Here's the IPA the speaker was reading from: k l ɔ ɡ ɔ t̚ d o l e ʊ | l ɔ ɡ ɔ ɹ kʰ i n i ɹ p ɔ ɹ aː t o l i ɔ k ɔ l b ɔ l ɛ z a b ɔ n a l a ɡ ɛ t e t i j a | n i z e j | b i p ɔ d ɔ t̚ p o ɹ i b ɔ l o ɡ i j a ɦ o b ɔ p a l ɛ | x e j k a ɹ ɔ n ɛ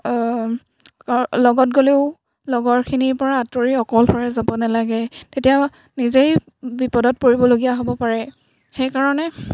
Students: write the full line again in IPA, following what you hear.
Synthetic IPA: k l ɔ ɡ ɔ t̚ ɡ o l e ʊ | l ɔ ɡ ɔ ɹ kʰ i n i ɹ p ɔ ɹ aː t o ɹ i ɔ k ɔ l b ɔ ɹ ɛ z a b ɔ n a l a ɡ ɛ t e t i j a | n i z e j | b i p ɔ d ɔ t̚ p o ɹ i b ɔ l o ɡ i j a ɦ o b ɔ p a ɹ ɛ | x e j k a ɹ ɔ n ɛ